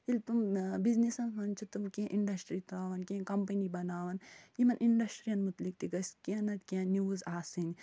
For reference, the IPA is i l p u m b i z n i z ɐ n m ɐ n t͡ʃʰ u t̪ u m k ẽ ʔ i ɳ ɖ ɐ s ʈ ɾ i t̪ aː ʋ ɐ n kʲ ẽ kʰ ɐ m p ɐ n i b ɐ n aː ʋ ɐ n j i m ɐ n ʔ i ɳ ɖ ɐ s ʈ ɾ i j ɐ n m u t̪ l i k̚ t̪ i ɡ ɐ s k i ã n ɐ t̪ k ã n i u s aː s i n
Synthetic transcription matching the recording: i l p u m b i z n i s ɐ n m ɐ n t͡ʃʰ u t̪ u m k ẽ ʔ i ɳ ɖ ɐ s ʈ ɾ i t̪ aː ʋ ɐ n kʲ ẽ k ɐ m p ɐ n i b ɐ n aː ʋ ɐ n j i m ɐ n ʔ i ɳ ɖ ɐ s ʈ ɾ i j ɐ n m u t̪ l i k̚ t̪ i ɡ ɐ s k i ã n ɐ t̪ k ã n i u z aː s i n